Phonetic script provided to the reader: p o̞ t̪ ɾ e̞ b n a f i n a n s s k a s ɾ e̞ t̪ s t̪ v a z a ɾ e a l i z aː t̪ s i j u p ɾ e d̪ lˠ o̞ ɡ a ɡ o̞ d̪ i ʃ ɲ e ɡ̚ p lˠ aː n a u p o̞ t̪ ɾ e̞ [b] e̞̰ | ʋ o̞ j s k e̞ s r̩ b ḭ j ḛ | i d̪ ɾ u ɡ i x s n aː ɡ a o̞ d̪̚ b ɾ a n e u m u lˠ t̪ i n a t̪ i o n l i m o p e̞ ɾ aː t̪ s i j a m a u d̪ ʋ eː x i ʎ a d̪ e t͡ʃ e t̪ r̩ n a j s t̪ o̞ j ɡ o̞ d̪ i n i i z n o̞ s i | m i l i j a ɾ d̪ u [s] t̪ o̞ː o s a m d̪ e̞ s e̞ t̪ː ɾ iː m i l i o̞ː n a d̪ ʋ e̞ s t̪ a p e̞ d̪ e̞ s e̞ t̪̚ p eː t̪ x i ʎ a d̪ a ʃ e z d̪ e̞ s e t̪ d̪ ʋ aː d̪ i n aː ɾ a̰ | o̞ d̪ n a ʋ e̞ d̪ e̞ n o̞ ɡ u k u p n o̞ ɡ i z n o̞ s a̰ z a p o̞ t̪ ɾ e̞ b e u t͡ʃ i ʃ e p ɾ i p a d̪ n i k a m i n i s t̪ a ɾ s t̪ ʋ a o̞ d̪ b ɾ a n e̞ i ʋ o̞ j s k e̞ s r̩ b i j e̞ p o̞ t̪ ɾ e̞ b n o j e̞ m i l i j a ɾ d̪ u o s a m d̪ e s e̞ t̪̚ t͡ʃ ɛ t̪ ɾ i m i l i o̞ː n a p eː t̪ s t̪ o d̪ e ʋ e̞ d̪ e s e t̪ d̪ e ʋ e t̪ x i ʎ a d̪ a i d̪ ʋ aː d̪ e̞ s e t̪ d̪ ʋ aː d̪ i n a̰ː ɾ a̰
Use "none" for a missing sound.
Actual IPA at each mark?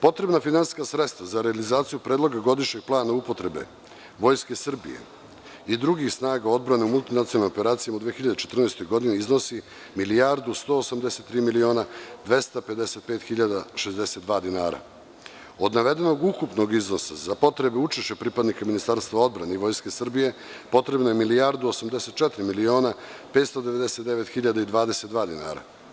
b, s

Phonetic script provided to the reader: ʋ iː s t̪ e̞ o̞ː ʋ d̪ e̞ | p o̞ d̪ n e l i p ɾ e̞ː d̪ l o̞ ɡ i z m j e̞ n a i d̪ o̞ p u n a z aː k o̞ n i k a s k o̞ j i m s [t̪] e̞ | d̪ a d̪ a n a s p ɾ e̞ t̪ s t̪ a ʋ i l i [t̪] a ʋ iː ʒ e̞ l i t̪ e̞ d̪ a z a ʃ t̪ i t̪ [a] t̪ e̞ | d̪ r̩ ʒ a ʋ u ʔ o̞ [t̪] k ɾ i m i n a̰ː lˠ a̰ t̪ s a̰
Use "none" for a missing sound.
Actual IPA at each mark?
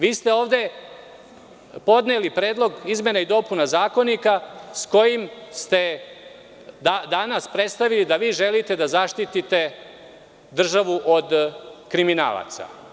t̪, d̪, i, d̪

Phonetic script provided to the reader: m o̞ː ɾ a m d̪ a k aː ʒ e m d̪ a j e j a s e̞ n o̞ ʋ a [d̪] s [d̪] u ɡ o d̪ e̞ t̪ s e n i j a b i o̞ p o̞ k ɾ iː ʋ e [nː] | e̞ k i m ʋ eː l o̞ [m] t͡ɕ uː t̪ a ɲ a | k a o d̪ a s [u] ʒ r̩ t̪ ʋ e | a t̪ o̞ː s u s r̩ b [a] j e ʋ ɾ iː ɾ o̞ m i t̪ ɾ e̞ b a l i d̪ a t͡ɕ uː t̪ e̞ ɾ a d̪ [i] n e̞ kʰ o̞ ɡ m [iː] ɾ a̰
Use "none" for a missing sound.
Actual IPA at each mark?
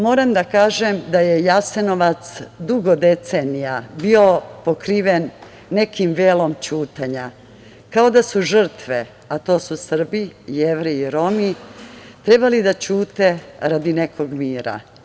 t̪, d̪, nː, m, u, i, i, iː

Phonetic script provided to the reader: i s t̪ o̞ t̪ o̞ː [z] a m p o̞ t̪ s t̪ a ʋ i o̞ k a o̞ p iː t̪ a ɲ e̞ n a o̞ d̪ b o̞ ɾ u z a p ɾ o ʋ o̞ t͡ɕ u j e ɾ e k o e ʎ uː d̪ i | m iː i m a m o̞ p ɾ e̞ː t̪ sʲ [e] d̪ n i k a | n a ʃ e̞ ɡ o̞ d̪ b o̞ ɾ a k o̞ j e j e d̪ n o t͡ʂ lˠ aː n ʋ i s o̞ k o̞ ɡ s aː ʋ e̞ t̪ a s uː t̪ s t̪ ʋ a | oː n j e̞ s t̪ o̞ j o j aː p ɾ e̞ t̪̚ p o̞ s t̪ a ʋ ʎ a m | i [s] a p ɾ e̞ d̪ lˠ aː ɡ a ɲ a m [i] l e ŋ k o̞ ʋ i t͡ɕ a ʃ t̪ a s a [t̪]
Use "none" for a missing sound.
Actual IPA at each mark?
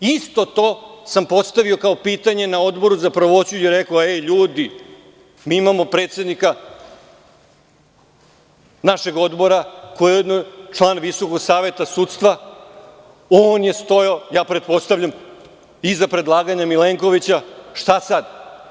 s, e, z, i, d̪

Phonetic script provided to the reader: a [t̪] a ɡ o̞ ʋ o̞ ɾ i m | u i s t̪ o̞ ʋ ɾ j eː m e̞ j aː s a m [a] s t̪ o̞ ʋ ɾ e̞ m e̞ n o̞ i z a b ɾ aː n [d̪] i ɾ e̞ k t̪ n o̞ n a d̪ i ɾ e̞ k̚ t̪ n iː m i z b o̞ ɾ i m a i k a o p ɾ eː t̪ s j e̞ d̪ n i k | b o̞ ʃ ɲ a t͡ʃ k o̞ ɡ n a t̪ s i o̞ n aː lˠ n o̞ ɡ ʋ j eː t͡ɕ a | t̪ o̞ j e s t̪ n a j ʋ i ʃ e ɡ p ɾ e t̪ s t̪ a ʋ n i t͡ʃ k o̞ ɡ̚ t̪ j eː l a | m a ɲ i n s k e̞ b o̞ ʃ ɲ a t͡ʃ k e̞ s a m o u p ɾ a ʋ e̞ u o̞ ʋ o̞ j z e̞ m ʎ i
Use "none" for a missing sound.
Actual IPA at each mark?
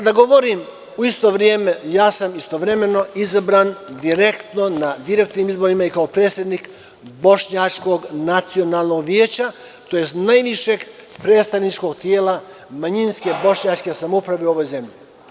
d̪, i, d̪

